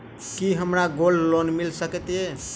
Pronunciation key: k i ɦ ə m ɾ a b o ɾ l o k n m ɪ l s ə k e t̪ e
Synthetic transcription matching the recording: k i ɦ ə m ɾ a ɡ o l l o n m i l s ə k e t̪ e